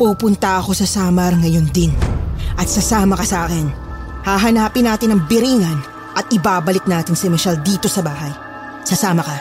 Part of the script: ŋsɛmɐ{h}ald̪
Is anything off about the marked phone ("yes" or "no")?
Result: yes